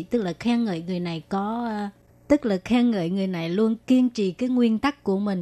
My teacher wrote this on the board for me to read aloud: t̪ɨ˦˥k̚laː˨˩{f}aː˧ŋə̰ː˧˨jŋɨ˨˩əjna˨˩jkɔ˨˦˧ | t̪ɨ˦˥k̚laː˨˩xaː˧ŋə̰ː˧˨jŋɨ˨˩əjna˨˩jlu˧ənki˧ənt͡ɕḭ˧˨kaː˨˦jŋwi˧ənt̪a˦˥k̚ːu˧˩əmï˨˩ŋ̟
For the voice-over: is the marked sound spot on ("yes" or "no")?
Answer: no